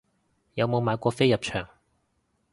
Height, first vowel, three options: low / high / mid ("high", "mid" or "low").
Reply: low